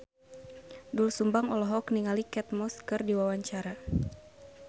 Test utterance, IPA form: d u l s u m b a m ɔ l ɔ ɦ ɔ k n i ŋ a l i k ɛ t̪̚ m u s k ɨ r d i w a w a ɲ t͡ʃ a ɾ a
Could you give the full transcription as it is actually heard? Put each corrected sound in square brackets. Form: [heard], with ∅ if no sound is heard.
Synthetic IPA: d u l s u m b a [ŋ] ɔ l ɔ ɦ ɔ k n i ŋ a l i k ɛ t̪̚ m [ɔ] s k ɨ r d i w a w a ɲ t͡ʃ a ɾ a